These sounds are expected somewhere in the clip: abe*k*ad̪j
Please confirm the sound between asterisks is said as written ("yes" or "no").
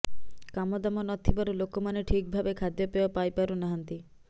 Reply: no